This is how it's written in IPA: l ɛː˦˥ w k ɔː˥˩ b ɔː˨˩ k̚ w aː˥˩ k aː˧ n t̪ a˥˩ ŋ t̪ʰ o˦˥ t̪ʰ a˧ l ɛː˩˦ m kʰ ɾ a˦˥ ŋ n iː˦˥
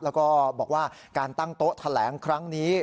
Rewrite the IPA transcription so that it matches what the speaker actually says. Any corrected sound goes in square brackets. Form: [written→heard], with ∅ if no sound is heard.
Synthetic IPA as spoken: l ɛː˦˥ w k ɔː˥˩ b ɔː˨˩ k̚ w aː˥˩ k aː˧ n t̪ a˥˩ ŋ [t̪ʰ→t̪] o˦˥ t̪ʰ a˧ l ɛː˩˦ [m→ŋ] kʰ ɾ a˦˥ ŋ n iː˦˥